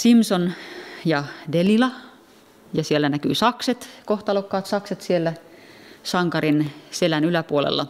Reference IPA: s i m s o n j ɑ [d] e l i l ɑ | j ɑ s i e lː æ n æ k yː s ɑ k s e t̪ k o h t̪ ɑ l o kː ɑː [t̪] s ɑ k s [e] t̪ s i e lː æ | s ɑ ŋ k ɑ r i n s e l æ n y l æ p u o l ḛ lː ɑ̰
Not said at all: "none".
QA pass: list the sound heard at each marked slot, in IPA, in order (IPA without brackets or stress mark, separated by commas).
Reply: d, t̪, e